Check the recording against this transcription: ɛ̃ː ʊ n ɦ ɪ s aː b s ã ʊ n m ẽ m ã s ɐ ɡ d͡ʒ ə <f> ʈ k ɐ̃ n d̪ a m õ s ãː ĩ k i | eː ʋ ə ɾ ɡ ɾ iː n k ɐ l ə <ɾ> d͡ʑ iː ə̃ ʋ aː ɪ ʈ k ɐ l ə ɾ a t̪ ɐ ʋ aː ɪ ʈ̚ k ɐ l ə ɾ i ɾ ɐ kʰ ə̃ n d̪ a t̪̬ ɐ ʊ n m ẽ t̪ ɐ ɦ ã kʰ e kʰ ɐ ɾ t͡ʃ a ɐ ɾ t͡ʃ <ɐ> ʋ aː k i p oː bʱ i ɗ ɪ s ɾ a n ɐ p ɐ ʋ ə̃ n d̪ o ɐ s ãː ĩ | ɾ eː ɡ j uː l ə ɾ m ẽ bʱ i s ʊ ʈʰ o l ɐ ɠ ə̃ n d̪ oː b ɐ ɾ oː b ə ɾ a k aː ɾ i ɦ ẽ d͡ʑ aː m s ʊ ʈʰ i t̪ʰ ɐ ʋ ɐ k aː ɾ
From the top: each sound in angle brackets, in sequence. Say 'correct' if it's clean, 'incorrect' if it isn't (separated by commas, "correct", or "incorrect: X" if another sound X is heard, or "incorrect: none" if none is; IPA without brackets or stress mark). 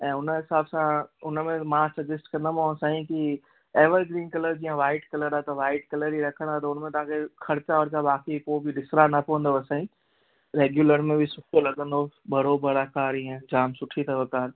incorrect: s, correct, incorrect: a